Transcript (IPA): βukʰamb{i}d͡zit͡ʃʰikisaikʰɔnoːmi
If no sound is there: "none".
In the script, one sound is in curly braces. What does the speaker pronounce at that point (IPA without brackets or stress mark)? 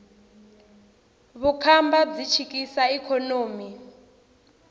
a